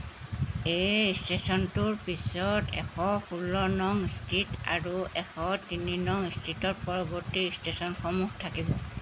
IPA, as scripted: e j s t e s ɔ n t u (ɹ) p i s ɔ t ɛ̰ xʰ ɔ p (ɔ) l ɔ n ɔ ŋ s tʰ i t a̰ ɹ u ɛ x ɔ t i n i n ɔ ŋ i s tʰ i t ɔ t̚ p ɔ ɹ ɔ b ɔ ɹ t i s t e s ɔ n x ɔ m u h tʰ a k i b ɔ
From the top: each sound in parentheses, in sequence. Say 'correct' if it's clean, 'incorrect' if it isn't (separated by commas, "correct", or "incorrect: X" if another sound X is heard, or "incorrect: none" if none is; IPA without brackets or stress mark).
correct, incorrect: u